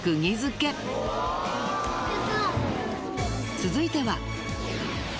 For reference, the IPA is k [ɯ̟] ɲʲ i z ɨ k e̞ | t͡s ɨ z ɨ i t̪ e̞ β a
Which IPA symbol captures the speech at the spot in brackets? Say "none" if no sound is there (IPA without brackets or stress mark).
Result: ɯ̟